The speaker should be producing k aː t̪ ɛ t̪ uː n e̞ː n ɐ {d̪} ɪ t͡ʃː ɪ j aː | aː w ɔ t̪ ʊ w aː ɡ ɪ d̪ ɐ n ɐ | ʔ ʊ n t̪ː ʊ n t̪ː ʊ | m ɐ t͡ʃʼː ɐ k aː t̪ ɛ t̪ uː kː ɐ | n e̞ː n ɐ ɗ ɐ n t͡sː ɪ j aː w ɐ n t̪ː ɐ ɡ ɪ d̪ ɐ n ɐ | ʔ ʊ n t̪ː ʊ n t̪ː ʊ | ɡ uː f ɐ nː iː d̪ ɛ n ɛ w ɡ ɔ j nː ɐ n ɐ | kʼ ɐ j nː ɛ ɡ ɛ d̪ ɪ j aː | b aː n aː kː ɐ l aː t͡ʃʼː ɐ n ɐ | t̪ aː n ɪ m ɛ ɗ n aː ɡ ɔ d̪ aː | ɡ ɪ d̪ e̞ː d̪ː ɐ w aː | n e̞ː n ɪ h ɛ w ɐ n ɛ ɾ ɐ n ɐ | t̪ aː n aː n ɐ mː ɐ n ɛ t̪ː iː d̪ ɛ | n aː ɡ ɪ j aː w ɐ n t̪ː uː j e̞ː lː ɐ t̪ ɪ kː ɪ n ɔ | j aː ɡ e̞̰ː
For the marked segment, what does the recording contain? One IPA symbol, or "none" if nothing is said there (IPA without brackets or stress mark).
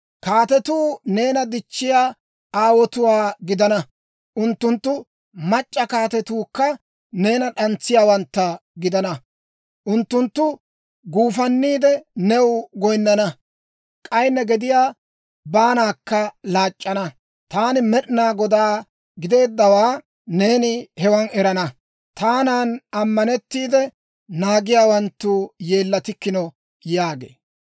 d̪